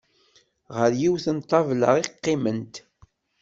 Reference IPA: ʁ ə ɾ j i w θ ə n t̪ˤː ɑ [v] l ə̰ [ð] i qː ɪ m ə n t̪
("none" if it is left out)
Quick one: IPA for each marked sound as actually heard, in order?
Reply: v, ʁ

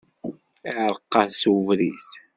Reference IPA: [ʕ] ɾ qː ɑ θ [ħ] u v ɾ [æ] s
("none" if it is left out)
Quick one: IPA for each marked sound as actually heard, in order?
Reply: ʕ, s, i

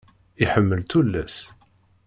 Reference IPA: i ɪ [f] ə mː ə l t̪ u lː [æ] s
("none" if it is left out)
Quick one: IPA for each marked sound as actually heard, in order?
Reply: ħ, æ

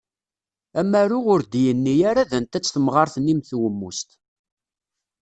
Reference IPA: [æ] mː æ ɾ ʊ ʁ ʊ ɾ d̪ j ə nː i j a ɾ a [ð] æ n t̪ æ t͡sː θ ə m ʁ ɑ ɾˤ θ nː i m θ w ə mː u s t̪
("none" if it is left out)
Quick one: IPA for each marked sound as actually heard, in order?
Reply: æ, ð

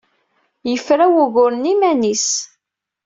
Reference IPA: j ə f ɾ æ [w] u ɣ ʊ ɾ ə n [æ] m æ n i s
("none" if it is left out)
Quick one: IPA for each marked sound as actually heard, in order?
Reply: w, i

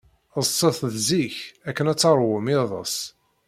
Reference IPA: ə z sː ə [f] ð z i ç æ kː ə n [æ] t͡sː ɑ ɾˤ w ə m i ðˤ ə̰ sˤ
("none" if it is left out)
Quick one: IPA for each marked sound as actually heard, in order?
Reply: θ, æ

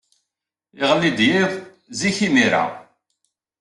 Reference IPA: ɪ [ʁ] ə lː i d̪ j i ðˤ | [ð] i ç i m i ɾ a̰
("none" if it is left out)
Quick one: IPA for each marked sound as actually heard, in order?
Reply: ʁ, z

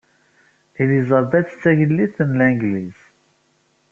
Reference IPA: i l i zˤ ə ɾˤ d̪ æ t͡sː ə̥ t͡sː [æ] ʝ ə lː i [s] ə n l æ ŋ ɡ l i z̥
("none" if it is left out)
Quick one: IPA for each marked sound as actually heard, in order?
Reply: æ, θ

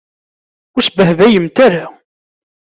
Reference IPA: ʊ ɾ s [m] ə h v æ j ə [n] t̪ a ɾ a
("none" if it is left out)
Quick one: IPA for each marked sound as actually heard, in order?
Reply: b, m

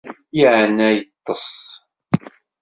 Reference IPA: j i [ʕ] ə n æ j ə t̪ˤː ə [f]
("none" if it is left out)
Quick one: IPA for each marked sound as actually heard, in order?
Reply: ʕ, s

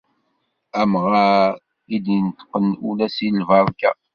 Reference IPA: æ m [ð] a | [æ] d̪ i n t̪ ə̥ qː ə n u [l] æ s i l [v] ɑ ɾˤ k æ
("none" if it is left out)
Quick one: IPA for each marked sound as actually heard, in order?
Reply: ʁ, i, l, v

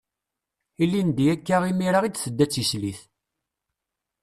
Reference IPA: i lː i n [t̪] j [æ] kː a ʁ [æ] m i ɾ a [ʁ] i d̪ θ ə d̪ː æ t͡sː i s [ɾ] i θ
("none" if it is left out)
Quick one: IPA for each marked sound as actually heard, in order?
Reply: d̪, æ, i, ʁ, l

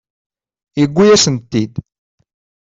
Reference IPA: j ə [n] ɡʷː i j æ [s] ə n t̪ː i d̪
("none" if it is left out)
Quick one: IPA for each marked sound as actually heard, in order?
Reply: none, s

